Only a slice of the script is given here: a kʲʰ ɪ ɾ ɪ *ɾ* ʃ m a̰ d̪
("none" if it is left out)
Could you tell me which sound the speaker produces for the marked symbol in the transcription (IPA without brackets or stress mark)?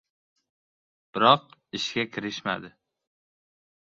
none